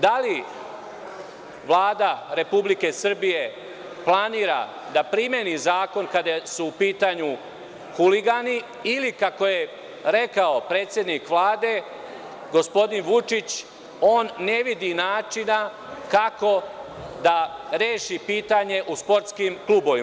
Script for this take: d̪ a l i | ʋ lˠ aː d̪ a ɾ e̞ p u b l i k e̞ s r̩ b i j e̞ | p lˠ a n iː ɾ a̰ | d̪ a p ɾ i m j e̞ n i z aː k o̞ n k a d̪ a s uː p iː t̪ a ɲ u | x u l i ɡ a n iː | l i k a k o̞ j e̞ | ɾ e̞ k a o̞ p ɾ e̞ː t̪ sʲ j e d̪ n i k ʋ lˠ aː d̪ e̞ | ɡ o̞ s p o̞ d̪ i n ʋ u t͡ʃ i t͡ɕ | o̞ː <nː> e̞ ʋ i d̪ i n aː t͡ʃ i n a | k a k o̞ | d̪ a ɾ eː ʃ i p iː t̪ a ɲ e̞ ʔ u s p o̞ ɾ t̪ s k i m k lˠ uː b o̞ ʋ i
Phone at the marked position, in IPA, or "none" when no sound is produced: nː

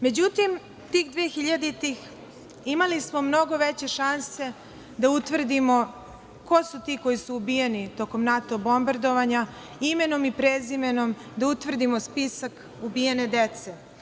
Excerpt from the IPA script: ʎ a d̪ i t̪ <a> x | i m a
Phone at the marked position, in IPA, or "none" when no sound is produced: i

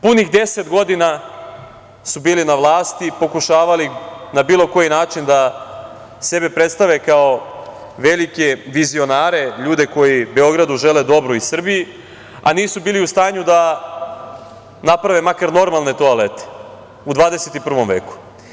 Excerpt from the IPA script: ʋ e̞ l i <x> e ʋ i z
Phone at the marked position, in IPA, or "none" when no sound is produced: k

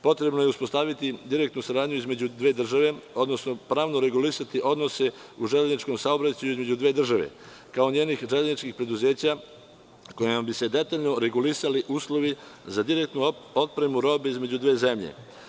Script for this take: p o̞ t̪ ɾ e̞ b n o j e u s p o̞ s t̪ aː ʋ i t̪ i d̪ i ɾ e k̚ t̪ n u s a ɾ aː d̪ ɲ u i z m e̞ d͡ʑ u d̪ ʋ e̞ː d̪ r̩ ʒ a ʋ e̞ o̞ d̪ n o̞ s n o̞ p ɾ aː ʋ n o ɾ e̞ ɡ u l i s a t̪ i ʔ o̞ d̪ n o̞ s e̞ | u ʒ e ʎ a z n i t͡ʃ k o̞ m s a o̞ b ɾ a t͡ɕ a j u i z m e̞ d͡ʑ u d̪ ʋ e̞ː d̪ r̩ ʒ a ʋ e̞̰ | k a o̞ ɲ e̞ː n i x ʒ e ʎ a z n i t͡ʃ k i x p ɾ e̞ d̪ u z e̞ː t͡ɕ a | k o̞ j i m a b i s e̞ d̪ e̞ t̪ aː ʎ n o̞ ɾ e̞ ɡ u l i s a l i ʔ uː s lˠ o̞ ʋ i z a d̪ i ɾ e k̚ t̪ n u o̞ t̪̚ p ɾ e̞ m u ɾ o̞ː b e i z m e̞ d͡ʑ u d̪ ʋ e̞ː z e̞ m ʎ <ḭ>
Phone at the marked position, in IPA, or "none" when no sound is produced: ḛ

